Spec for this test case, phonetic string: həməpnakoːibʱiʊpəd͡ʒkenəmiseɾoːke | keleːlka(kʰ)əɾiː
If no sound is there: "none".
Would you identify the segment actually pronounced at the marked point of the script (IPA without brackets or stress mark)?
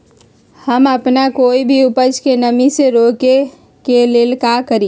k